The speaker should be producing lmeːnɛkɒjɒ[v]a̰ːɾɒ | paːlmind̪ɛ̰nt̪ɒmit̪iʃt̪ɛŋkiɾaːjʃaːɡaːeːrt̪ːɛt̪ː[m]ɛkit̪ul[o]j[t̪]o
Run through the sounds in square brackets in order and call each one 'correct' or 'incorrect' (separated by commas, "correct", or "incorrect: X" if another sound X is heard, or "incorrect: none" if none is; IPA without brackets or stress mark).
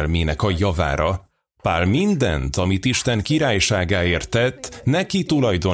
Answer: correct, incorrect: n, incorrect: ɒ, incorrect: d̪